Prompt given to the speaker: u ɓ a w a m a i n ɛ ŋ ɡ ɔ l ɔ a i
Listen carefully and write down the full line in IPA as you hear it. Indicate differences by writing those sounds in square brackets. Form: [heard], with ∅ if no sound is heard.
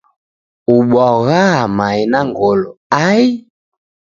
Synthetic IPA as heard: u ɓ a [ɣ] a m a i n [a] ŋ ɡ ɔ l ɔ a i